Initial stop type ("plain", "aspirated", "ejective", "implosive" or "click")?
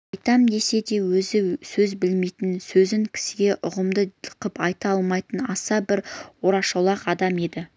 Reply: plain